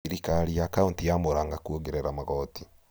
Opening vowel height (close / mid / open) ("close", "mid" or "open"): close